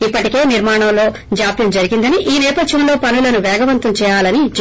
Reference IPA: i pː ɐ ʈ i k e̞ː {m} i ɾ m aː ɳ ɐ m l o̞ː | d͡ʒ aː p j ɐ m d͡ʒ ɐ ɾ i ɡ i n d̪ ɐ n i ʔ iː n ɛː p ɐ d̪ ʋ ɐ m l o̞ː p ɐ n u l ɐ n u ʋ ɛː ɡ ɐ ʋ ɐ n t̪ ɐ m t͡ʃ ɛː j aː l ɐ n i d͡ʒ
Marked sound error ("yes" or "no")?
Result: yes